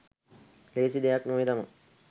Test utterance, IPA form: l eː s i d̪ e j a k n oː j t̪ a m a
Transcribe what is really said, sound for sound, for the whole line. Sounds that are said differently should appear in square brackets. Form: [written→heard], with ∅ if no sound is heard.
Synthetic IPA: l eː s i d̪ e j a k n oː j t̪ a m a